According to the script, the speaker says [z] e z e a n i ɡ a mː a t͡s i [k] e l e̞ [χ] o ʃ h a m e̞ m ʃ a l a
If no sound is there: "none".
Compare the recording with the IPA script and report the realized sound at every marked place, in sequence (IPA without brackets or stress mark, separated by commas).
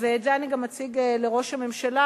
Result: v, ɡ, ʁ